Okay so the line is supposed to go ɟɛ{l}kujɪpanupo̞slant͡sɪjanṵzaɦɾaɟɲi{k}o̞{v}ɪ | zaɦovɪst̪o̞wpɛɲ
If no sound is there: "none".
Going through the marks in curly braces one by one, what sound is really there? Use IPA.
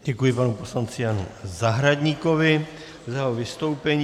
none, k, v

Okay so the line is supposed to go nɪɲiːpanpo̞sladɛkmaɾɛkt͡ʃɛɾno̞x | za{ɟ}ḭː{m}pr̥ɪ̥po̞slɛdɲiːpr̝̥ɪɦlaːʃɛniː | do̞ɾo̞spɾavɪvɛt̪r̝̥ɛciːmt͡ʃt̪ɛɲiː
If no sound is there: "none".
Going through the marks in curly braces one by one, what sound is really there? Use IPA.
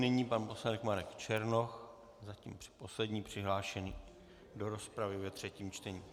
c, m

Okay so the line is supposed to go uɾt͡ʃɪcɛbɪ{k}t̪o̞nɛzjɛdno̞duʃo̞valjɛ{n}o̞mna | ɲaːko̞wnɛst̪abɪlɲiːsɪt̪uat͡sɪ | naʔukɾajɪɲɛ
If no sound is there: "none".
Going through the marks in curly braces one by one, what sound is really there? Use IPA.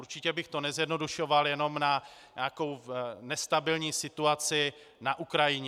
x, n

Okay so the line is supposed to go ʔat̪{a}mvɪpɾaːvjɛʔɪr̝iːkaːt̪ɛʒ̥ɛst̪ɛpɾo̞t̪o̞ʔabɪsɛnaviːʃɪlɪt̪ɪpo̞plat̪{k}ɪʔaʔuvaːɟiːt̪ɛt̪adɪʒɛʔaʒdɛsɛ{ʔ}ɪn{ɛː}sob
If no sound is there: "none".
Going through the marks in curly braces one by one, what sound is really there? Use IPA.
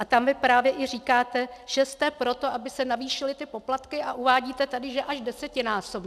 a, k, c, aː

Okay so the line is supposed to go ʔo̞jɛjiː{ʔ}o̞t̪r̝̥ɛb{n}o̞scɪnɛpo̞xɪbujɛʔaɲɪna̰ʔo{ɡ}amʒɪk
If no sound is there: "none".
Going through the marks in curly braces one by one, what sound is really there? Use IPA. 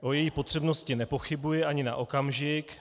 p, n, k

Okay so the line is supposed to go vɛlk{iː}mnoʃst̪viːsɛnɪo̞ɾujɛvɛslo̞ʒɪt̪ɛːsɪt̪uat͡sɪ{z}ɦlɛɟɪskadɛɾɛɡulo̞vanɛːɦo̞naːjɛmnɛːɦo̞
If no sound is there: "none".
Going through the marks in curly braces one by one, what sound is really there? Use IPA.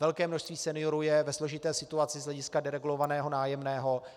ɛː, z

